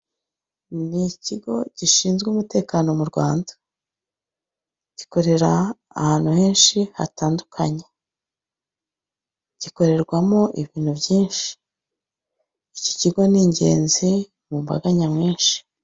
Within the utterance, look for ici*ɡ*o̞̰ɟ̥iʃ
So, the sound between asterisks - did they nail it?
yes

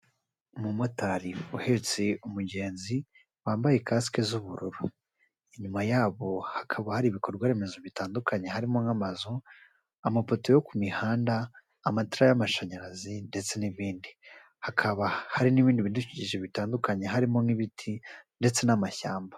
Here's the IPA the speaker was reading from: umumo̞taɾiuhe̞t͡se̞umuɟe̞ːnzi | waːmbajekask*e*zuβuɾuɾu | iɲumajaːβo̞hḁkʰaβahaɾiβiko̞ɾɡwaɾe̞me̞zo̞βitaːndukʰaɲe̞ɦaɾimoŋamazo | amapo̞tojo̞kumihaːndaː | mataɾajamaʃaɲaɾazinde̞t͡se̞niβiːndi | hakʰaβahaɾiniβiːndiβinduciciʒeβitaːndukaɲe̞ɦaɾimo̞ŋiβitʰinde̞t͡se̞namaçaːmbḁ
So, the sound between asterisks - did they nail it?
yes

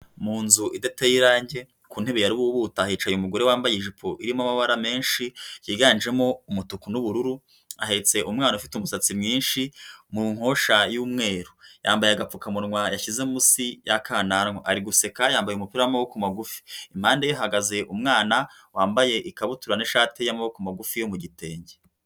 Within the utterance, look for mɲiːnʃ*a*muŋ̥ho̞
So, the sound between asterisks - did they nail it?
no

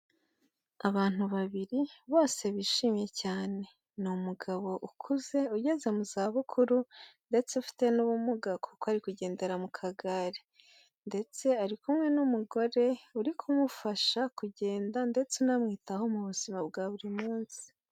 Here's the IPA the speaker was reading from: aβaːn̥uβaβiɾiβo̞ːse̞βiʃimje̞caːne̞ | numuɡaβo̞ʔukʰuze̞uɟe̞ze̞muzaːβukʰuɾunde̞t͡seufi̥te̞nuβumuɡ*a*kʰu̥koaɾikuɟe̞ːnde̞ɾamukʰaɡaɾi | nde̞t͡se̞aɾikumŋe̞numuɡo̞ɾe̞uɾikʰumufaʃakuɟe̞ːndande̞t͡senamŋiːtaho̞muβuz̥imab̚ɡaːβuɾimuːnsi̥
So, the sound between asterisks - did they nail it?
yes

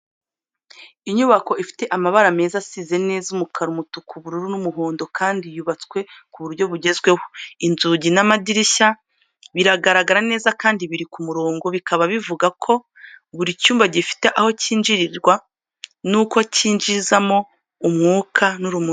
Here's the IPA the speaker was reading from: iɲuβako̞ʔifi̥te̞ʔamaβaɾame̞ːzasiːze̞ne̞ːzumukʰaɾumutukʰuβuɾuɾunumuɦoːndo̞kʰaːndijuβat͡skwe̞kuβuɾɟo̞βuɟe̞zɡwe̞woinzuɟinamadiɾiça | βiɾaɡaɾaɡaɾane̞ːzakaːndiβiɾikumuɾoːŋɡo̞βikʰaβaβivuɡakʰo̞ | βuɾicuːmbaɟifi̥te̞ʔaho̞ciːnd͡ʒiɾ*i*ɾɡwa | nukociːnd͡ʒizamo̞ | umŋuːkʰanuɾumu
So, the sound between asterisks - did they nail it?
yes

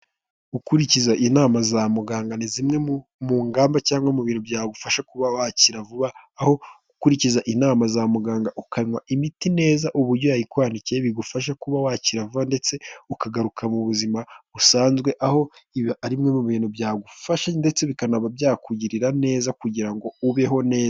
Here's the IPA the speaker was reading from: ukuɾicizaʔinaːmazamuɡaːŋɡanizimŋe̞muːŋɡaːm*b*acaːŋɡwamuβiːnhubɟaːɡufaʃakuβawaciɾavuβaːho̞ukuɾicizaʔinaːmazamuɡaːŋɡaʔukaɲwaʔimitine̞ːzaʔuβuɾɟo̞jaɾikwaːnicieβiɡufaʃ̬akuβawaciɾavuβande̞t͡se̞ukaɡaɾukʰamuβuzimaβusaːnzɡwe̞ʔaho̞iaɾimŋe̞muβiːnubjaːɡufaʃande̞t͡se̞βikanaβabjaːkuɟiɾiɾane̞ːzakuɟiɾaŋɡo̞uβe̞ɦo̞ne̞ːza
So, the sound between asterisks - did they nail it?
yes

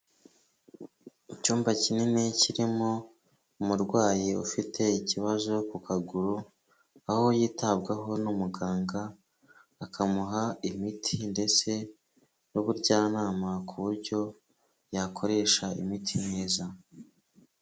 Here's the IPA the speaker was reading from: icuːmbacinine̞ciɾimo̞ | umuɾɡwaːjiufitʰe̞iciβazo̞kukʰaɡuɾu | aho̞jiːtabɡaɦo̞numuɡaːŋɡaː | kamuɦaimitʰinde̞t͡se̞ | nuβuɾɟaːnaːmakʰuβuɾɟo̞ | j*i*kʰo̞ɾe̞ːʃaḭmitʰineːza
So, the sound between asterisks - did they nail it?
no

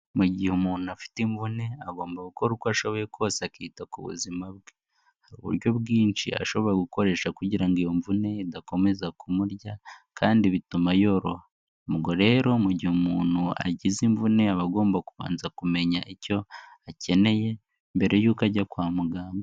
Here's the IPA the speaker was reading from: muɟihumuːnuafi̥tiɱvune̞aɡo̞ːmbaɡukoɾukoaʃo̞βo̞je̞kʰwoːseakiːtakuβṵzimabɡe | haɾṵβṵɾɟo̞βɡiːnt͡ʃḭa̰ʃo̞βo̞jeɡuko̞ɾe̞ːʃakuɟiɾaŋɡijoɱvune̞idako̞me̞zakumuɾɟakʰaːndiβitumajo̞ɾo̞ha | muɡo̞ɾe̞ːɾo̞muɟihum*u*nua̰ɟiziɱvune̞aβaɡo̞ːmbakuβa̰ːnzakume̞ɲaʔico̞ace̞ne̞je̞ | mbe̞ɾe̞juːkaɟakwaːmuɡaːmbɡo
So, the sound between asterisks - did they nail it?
no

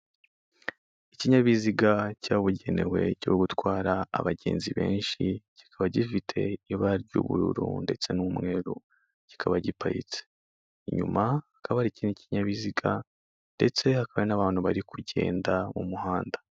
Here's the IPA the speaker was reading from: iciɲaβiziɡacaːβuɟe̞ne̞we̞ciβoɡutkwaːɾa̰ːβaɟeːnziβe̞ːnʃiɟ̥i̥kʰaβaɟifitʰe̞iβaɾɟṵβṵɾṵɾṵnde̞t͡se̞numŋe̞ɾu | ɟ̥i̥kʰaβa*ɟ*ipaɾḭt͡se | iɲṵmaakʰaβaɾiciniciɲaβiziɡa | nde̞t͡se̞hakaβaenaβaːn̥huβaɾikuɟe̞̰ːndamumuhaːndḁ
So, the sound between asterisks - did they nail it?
yes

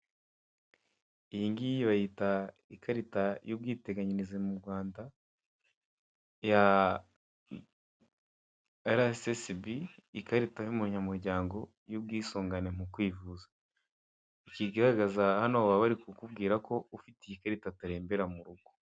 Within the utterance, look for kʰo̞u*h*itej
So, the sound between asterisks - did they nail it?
no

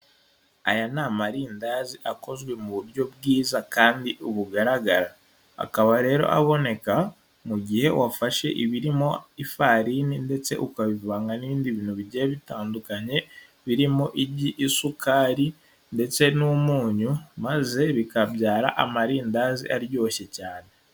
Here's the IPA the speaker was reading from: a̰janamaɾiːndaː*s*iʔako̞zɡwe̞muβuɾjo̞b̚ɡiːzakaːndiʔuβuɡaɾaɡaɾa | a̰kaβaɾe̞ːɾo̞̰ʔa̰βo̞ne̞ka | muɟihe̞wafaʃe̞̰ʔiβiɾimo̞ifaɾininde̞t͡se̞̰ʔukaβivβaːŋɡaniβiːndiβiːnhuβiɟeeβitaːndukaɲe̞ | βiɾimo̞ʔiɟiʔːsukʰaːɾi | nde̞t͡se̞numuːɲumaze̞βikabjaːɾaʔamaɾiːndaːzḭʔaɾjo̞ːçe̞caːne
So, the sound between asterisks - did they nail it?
no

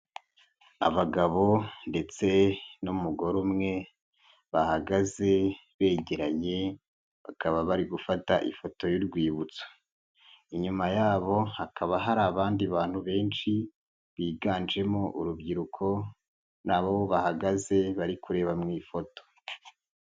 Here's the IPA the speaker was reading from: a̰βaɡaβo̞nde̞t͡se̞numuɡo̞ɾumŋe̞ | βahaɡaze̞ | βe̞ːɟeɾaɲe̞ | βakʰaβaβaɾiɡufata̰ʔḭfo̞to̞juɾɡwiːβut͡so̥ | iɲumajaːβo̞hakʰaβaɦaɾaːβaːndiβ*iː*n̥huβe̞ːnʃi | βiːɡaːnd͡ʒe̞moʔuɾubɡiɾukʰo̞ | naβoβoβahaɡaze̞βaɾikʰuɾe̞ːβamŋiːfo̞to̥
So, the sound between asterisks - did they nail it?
no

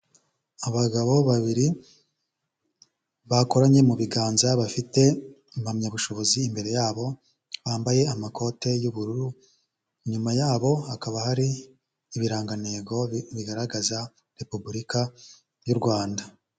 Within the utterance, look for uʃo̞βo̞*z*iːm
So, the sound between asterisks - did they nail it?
yes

